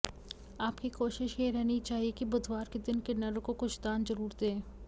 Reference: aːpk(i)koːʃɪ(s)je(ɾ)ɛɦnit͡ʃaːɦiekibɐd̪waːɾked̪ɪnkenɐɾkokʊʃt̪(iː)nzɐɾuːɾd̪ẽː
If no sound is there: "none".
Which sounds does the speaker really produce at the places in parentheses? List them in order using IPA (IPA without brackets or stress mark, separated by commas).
i, ʃ, ɾ, aː